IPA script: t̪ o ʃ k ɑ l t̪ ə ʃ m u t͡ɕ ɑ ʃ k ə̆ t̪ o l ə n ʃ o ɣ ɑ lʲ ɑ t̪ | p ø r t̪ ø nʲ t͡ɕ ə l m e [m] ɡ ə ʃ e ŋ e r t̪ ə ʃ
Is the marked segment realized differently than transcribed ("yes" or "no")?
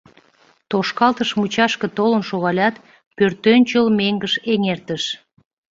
yes